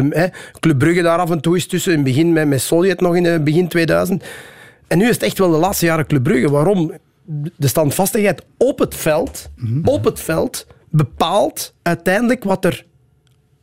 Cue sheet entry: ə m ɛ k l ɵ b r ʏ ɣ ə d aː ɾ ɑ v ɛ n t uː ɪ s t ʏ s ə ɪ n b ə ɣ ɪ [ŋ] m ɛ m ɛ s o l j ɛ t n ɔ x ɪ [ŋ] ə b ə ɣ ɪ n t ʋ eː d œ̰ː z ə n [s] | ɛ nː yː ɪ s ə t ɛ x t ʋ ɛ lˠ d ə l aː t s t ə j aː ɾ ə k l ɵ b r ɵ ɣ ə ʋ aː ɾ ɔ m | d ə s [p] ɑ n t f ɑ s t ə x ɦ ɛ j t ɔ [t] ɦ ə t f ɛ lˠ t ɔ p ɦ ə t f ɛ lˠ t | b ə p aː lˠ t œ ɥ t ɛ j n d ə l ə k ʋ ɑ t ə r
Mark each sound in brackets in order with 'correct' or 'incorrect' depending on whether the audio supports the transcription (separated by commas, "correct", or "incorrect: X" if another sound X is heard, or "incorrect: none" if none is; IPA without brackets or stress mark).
incorrect: n, incorrect: n, incorrect: t, incorrect: t, incorrect: p